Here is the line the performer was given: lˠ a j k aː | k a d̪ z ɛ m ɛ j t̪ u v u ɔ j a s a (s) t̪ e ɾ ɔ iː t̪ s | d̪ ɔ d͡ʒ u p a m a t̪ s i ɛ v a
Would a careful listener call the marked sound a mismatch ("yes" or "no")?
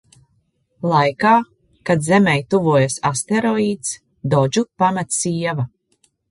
no